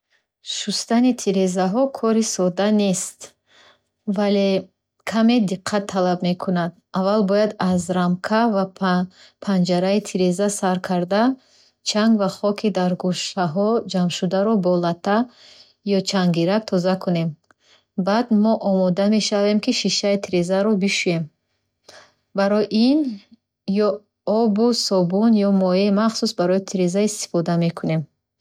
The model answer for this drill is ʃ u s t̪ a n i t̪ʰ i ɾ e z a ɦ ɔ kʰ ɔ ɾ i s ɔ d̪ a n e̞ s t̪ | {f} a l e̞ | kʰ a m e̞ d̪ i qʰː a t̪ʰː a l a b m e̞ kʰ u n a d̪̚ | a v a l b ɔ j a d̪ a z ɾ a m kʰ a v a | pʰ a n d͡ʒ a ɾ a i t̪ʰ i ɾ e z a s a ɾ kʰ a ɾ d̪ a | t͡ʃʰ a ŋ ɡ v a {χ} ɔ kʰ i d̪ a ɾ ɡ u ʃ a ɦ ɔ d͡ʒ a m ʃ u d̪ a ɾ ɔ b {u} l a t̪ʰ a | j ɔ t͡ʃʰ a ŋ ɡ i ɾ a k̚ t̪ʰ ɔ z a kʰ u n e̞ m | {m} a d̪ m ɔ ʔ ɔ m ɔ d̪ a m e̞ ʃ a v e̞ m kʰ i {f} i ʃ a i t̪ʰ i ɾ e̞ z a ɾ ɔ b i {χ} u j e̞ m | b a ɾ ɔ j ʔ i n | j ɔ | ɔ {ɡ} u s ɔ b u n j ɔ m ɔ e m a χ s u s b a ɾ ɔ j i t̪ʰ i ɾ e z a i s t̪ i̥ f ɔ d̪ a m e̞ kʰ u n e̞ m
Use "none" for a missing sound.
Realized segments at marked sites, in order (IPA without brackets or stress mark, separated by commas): v, χ, ɔ, b, ʃ, ʃ, b